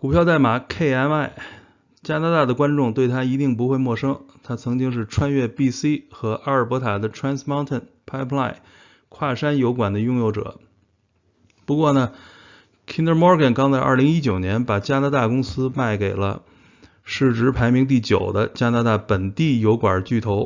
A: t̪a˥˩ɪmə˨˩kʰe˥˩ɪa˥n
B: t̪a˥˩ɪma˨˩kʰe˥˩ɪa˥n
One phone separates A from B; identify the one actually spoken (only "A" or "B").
B